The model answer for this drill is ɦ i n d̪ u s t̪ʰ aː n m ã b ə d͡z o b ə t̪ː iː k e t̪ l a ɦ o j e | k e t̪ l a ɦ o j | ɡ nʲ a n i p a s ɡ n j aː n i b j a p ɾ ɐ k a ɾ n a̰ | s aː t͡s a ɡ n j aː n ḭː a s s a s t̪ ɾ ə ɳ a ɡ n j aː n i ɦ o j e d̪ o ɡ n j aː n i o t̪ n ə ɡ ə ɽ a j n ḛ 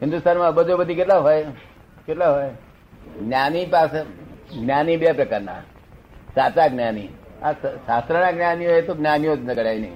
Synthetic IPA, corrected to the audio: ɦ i n d̪ u s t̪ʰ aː n m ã b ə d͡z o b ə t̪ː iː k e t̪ l a ɦ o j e | k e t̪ l a ɦ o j | ɡ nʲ a n i p a s ɡ n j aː n i b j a p ɾ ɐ k a ɾ n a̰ | s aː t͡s a ɡ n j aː n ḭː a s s a s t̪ ɾ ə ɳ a ɡ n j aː n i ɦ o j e t̪ o ɡ n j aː n i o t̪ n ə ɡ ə ɽ a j n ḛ